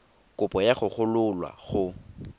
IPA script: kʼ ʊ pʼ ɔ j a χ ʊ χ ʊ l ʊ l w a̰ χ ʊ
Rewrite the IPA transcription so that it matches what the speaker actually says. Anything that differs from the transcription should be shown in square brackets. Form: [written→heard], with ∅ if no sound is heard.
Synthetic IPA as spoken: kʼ ʊ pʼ ɔ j a χ ʊ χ ʊ l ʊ l w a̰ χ ʊ